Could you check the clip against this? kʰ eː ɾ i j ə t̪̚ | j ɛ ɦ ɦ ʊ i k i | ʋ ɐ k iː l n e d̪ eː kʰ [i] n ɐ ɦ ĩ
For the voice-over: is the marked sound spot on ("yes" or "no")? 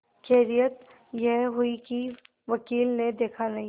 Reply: no